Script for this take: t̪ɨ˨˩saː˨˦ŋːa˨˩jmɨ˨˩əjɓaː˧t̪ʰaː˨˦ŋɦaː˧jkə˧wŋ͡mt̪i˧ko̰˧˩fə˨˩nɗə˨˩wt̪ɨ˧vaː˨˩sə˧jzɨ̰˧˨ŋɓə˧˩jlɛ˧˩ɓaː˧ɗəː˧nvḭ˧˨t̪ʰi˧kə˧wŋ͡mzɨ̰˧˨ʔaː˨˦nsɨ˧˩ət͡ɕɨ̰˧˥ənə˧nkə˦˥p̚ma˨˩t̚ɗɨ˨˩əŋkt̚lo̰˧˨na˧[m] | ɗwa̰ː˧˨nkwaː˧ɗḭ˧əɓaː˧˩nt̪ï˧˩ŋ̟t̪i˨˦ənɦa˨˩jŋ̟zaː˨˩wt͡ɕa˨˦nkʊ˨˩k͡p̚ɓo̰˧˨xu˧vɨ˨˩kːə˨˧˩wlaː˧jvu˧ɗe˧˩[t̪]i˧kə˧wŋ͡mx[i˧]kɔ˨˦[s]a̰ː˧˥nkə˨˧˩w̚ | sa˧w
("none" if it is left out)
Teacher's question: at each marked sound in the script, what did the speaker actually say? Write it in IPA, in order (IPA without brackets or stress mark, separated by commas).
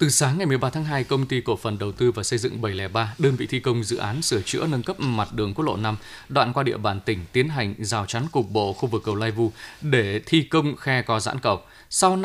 m, t̪ʰ, ɛ˧, z